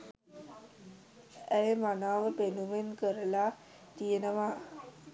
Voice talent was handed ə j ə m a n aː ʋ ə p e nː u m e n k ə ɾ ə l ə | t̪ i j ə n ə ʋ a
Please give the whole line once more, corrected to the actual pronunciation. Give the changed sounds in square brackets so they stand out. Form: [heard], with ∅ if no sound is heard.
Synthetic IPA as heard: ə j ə m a n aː ʋ ə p e [n] u m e n k ə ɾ ə l [a] | t̪ i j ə n ə ʋ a